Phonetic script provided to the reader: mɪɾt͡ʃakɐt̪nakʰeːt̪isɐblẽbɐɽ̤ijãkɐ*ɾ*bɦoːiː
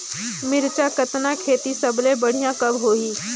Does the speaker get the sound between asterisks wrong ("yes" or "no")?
yes